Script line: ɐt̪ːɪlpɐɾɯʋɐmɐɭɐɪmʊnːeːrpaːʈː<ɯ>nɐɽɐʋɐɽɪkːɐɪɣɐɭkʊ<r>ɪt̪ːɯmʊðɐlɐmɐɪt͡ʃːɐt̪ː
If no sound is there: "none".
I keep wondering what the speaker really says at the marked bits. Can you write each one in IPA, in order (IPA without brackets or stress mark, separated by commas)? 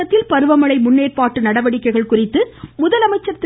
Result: ɯ, r